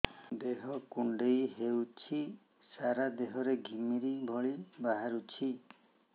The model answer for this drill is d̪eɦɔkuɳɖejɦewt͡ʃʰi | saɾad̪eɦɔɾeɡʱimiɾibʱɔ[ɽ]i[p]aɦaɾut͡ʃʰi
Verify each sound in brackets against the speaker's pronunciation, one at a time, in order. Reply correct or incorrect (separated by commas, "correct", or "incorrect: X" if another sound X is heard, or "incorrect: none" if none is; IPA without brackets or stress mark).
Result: incorrect: ɭ, incorrect: b